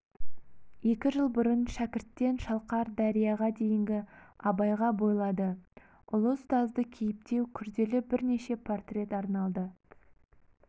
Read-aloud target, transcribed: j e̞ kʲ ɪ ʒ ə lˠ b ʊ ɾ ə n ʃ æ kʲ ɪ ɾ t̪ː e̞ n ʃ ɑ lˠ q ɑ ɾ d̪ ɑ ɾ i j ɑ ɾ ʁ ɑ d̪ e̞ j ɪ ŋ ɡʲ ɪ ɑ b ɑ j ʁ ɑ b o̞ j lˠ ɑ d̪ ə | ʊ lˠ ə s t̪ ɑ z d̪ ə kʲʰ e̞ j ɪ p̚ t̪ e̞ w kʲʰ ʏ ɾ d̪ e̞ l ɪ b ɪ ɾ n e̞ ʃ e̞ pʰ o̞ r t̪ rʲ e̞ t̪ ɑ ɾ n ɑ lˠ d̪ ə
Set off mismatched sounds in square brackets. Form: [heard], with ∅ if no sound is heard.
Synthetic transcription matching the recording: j e̞ kʲ ɪ ʒ ə lˠ b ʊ ɾ ə n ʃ æ kʲ ɪ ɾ t̪ː e̞ n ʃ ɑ lˠ q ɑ ɾ d̪ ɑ ɾ i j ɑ [∅] ʁ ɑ d̪ e̞ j ɪ ŋ ɡʲ ɪ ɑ b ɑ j ʁ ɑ b o̞ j lˠ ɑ d̪ ə | ʊ lˠ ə s t̪ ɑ z d̪ ə kʲʰ e̞ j ɪ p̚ t̪ e̞ w kʲʰ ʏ ɾ d̪ e̞ l ɪ b ɪ ɾ n e̞ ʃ e̞ pʰ o̞ r t̪ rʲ e̞ t̪ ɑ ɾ n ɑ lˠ d̪ ə